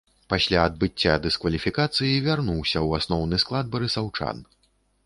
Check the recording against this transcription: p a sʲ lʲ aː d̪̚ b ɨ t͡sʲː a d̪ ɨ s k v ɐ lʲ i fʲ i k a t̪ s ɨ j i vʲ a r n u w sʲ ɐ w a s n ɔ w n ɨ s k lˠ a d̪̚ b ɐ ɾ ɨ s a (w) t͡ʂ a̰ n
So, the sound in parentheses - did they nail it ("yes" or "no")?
yes